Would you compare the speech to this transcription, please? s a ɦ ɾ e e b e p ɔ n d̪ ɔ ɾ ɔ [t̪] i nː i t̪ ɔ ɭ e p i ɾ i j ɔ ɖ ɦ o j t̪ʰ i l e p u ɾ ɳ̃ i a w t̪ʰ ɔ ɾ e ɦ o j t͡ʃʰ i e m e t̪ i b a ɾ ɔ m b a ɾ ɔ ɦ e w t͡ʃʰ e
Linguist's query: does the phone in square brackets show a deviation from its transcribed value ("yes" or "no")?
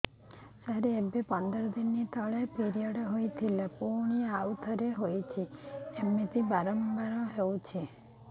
yes